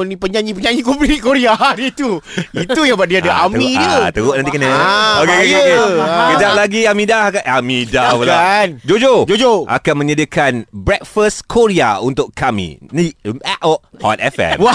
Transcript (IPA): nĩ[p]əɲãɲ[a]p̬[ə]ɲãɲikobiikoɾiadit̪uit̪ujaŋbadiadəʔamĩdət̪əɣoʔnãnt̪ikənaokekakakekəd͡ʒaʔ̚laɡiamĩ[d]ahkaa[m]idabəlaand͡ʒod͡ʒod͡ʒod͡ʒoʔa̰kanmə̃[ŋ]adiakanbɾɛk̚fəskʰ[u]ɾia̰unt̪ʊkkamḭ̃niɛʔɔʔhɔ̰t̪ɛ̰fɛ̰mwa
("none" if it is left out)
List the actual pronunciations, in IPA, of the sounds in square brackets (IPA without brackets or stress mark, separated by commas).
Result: p, i, ə, d, m, ɲ, o